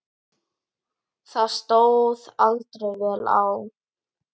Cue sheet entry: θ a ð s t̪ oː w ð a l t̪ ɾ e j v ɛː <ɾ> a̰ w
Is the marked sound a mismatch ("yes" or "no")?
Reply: yes